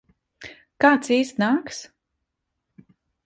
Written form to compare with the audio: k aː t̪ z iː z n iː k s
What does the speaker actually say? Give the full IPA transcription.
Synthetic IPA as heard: k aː t̪ s iː s n aː k s